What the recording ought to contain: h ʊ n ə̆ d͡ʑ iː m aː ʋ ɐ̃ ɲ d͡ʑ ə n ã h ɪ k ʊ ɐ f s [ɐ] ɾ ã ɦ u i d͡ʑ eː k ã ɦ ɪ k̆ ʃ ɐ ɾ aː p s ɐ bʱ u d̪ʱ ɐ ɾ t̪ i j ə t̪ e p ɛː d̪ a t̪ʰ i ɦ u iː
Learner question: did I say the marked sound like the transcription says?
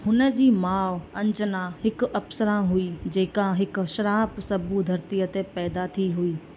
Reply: no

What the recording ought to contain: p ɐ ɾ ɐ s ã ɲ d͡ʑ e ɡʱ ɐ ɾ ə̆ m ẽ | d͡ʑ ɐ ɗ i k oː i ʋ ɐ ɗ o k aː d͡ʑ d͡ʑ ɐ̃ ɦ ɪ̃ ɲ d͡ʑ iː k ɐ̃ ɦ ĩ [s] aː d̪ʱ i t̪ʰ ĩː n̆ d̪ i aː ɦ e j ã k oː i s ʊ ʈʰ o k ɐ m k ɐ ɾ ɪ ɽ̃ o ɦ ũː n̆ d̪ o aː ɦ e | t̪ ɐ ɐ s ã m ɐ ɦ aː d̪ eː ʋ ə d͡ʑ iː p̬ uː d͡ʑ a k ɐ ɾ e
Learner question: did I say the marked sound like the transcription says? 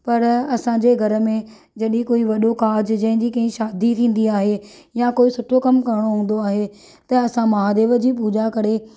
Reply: no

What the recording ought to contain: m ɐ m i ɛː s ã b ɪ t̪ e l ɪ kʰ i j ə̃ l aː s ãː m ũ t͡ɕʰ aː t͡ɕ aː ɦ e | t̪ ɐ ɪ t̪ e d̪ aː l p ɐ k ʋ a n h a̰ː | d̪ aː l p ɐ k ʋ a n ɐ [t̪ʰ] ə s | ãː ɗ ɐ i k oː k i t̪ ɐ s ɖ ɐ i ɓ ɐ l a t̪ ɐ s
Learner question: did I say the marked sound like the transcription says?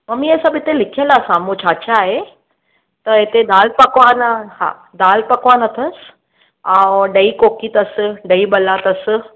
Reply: yes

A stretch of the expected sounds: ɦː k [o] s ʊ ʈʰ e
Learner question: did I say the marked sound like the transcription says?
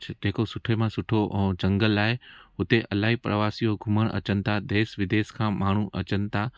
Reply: yes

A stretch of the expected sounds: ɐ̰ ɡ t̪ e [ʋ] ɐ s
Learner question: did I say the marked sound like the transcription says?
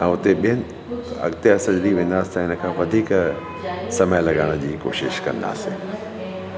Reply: no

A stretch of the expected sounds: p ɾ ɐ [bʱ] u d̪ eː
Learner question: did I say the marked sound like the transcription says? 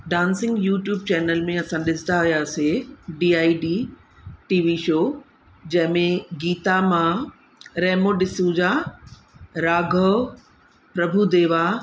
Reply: yes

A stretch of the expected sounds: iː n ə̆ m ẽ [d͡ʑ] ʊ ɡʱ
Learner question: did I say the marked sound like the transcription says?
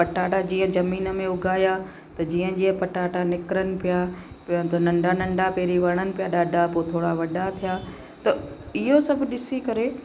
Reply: no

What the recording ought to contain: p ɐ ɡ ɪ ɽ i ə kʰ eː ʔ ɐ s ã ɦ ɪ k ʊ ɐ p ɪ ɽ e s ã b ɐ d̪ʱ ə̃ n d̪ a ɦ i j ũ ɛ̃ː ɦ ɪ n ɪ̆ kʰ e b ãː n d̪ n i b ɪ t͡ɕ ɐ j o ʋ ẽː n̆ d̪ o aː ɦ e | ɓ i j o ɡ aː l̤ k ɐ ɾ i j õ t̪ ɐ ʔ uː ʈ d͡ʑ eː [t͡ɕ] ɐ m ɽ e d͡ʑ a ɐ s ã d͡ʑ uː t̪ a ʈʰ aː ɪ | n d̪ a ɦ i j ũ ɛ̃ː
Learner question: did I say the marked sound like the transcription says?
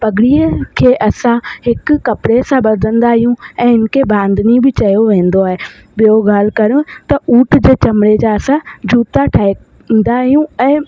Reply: yes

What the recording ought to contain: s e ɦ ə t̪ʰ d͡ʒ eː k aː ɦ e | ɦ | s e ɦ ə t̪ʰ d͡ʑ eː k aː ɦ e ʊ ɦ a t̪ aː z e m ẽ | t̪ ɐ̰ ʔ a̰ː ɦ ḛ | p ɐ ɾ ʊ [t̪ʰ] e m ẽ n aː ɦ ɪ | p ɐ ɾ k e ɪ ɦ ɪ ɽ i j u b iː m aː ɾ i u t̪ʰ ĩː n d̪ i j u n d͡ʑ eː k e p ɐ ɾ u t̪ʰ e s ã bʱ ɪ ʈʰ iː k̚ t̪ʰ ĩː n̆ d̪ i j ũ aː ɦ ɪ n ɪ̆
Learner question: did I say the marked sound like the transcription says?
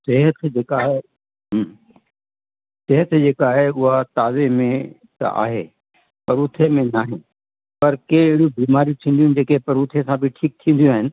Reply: yes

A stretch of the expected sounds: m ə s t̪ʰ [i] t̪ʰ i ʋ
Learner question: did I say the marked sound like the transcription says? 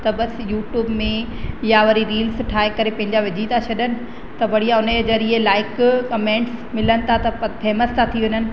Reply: no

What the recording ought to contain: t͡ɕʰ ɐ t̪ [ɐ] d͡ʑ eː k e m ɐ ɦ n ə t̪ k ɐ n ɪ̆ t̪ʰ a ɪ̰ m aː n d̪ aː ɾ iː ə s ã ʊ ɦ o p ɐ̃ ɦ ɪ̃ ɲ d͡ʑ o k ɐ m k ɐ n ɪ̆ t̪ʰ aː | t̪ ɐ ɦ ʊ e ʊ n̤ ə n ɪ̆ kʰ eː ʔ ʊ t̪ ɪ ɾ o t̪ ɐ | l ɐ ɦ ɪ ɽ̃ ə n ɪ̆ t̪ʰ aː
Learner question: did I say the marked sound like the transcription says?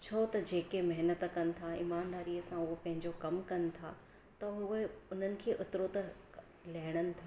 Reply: yes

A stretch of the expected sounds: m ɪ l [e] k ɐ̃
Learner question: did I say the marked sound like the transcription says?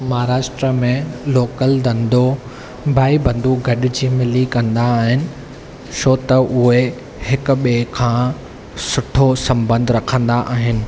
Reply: no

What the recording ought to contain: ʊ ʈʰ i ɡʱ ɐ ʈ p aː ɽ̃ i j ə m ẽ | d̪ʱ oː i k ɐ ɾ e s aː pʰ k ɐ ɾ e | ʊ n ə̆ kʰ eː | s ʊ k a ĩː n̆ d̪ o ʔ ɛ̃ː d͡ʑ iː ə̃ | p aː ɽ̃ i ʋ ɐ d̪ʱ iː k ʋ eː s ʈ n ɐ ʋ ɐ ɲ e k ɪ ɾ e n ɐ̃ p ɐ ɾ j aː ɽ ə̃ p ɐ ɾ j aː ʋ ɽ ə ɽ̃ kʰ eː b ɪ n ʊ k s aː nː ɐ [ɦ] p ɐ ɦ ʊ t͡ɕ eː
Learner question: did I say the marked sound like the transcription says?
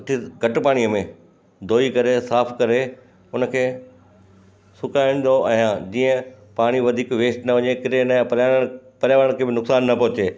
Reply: no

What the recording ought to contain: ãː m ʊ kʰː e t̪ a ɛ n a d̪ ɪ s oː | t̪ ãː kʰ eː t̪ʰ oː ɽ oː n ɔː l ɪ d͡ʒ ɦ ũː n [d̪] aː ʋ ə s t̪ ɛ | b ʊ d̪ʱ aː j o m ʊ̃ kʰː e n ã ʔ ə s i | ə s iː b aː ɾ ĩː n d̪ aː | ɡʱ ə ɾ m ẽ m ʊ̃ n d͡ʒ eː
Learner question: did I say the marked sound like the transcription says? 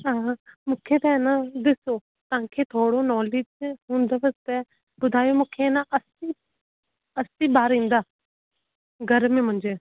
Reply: yes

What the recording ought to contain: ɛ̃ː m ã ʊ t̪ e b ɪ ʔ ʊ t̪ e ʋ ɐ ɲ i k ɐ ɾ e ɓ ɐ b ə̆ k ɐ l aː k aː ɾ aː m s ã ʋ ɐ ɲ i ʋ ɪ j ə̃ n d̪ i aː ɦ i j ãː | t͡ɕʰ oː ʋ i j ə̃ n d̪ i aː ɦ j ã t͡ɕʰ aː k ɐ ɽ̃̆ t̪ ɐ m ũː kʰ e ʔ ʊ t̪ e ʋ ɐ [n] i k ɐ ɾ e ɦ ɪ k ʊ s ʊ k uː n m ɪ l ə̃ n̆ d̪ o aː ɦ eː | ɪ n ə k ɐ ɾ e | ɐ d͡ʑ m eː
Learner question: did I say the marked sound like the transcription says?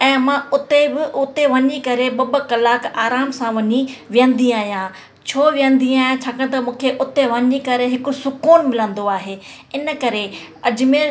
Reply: no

